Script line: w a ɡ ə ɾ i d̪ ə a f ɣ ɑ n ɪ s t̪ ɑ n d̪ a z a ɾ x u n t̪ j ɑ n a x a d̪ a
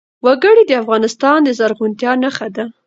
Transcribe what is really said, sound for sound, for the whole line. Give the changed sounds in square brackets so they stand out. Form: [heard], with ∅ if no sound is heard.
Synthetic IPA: w a ɡ ə [ɽ] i d̪ ə a f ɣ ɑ n ɪ s t̪ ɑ n d̪ [ə] z a ɾ [ɣ] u n t̪ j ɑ n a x a d̪ a